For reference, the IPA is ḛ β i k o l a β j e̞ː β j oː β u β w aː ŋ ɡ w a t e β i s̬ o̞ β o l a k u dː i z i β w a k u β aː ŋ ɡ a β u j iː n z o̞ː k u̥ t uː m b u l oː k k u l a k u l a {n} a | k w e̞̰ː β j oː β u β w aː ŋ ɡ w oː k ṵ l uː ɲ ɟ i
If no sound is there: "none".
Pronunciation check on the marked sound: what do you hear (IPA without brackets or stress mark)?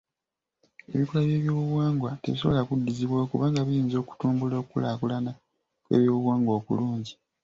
n